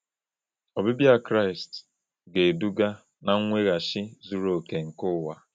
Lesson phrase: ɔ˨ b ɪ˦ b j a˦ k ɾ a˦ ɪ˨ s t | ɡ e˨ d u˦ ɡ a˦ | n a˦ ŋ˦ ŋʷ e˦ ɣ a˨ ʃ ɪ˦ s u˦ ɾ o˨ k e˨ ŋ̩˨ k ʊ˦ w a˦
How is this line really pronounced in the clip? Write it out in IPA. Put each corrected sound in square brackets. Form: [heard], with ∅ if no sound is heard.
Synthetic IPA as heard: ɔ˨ b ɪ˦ b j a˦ k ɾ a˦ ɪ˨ s t | ɡ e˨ d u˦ ɡ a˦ | n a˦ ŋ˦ ŋʷ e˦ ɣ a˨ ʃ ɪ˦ [z] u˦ ɾ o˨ k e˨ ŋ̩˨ k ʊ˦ w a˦